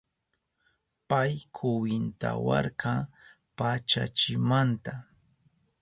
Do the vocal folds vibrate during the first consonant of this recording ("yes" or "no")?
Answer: no